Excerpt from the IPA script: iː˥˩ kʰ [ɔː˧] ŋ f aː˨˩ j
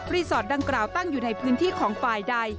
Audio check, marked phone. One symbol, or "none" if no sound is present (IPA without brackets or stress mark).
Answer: ɔː˩˦